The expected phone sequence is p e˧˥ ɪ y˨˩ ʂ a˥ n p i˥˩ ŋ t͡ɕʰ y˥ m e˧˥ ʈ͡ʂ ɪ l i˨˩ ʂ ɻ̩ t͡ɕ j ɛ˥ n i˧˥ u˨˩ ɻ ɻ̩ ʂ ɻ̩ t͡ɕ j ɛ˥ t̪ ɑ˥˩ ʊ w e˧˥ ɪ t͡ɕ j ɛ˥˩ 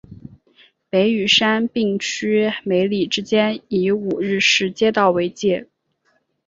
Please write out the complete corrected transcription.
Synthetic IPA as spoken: p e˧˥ ɪ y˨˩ ʂ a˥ n p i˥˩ ŋ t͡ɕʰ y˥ m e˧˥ ɪ l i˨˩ ʈ͡ʂ ɻ̩ t͡ɕ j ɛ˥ n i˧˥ u˨˩ ɻ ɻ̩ ʂ ɻ̩ t͡ɕ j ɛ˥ t̪ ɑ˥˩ ʊ w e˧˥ ɪ t͡ɕ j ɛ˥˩